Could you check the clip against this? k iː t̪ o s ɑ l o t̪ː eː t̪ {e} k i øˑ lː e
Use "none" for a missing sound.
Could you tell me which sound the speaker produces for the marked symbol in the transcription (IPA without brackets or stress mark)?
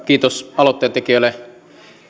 e